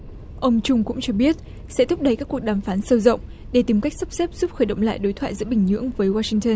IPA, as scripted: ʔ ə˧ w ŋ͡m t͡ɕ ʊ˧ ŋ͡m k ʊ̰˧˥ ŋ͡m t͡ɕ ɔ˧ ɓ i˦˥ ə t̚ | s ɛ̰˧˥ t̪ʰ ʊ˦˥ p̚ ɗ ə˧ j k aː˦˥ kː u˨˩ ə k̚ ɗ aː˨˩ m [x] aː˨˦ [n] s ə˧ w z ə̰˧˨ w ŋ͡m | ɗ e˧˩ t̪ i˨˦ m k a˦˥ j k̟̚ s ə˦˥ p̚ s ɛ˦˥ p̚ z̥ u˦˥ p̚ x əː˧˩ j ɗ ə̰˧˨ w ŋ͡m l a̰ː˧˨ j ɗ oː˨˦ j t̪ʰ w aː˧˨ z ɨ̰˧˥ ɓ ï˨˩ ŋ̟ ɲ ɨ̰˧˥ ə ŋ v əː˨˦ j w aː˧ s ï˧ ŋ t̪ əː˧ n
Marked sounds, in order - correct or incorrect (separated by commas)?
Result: incorrect, correct